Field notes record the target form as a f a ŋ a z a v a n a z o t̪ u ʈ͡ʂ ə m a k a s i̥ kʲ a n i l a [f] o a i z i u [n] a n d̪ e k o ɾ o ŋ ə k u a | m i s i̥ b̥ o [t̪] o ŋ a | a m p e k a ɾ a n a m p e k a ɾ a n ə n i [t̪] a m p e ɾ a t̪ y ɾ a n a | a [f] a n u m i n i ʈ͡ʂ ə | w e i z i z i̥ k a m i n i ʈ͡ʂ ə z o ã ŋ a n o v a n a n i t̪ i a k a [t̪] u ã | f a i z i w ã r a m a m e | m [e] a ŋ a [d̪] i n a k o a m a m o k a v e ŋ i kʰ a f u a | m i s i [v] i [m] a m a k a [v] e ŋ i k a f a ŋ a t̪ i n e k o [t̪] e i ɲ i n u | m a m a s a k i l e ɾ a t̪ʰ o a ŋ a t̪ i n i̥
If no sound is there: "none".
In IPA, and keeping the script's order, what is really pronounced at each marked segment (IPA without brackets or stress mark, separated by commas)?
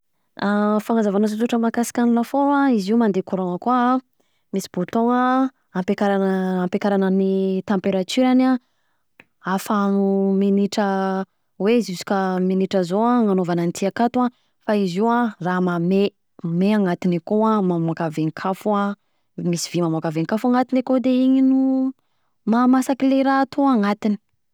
f, m, t̪, t̪, f, t̪, e, t̪, v, m, v, d̪